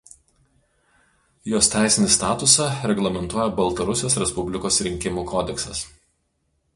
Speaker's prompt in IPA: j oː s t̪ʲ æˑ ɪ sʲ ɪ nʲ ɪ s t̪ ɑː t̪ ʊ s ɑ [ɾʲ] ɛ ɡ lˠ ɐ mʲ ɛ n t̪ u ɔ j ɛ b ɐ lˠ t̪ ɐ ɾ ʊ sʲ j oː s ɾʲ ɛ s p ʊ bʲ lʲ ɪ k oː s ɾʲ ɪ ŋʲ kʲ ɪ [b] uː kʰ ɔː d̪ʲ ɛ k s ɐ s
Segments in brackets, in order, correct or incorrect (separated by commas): correct, incorrect